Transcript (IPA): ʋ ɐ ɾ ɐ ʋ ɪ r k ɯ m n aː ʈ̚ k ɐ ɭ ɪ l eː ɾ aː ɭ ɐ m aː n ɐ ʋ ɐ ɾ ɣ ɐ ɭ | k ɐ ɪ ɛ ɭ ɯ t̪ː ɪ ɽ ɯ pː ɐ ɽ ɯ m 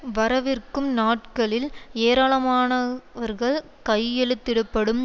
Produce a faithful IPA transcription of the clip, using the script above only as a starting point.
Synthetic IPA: ʋ ɐ ɾ ɐ ʋ ɪ r k ɯ m n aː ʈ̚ k ɐ ɭ ɪ l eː ɾ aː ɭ ɐ m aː n ɐ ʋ ɐ ɾ ɣ ɐ ɭ | k ɐ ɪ ɛ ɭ ɯ t̪ː ɪ ɽ ɯ pː ɐ ɽ ɯ m